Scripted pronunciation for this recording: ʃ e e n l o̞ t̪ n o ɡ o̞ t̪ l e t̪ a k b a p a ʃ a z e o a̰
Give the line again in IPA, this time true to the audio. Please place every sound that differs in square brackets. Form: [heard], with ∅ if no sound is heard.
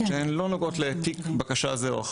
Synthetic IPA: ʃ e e n l o̞ [∅] n o ɡ o̞ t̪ l e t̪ [i] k b a [k] a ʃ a z e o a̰

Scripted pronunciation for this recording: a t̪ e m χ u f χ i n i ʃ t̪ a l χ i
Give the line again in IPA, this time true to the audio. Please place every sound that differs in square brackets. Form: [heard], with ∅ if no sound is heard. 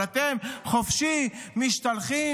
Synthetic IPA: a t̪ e m χ [o] f [ʃ] i [m] i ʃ t̪ a l χ i

